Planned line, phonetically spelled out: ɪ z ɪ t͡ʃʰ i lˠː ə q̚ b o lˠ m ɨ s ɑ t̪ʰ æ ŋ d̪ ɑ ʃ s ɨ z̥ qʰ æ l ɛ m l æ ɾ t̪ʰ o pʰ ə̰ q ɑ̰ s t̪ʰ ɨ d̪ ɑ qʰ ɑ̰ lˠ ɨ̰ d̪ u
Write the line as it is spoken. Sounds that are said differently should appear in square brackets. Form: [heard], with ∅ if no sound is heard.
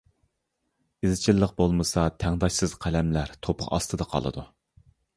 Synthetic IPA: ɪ z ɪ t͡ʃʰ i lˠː ə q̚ b o lˠ m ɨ s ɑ t̪ʰ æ ŋ d̪ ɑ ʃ s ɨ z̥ qʰ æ l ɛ m l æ ɾ t̪ʰ o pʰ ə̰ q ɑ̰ s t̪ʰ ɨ d̪ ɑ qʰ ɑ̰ lˠ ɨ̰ d̪ u